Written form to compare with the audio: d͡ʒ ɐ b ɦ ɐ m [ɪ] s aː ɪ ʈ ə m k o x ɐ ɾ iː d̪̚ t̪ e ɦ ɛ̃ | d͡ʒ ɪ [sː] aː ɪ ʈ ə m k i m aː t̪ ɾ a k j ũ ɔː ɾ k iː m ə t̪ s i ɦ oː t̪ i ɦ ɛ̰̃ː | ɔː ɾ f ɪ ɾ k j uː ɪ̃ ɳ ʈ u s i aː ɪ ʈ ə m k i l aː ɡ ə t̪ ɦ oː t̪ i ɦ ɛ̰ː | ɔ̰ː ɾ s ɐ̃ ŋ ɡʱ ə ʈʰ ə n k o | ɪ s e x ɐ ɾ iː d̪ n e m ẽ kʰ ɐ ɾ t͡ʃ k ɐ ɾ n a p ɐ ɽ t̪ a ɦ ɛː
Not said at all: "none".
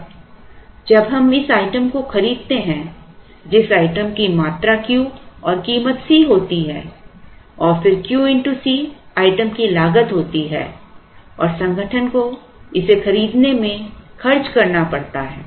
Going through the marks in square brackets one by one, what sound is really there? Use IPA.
ɪ, s

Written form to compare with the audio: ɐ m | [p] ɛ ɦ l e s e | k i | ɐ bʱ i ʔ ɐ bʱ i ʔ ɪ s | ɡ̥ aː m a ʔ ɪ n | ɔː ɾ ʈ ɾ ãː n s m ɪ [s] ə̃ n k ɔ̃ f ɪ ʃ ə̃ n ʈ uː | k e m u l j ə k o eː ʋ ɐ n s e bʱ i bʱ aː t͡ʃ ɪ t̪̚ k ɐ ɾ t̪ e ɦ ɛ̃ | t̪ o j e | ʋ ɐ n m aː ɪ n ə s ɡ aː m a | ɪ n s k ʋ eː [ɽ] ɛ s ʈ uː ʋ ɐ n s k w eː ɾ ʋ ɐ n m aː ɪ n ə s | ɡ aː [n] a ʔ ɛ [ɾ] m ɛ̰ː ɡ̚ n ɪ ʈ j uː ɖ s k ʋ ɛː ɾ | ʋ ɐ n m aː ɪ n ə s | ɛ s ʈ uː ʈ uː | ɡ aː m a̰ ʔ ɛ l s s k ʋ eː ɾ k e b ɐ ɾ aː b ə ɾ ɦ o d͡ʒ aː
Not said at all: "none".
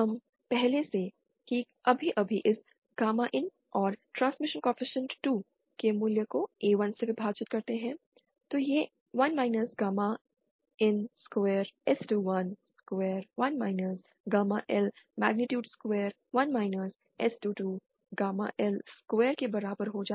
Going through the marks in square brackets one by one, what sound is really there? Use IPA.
p, ʃ, ɾ, m, l

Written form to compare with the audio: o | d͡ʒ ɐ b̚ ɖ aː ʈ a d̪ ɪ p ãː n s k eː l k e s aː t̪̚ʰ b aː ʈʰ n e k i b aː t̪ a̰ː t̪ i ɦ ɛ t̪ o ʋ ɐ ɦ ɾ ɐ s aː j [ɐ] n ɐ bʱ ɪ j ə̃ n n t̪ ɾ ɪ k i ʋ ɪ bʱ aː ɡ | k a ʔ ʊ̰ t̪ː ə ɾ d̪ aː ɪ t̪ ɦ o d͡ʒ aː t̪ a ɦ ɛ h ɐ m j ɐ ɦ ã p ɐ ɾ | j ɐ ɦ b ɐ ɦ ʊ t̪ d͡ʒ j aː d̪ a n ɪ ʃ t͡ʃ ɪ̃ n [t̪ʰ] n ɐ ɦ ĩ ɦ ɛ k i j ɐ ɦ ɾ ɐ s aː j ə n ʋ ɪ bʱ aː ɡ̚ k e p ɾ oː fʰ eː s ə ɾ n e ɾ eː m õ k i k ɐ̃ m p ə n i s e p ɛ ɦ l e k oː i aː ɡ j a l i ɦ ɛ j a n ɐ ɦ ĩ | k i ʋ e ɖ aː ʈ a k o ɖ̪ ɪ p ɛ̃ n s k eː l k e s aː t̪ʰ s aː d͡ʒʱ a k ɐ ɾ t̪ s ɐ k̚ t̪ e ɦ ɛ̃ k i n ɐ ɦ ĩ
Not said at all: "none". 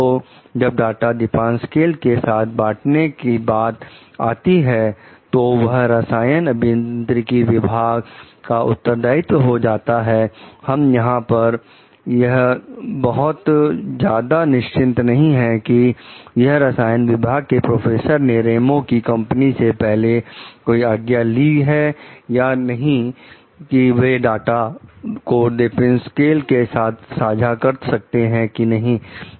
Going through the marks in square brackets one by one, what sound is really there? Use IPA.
ə, t̪

